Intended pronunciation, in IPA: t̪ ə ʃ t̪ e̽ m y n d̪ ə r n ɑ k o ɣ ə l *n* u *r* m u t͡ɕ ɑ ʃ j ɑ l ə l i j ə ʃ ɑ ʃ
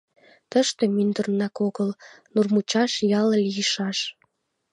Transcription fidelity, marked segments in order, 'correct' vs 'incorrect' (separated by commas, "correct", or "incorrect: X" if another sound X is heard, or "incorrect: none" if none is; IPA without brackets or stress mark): correct, correct